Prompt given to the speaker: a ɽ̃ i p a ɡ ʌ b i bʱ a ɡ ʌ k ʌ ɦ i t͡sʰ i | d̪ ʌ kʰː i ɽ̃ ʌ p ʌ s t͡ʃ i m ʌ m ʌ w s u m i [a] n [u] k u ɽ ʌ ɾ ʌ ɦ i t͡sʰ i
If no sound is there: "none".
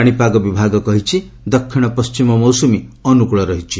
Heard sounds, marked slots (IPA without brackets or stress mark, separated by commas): ʌ, u